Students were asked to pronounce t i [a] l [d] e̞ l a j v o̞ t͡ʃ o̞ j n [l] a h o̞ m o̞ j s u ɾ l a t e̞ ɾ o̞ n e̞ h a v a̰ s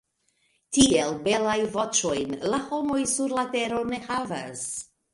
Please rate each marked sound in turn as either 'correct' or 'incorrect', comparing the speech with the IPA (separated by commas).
incorrect, incorrect, correct